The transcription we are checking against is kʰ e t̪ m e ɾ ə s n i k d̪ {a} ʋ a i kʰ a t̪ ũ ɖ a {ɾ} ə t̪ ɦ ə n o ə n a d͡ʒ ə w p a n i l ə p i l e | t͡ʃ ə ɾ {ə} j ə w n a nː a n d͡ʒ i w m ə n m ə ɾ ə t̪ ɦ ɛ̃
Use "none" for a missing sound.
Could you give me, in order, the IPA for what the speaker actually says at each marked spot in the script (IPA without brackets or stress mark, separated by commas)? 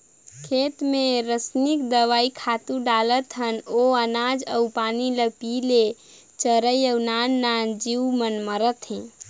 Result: ə, l, ə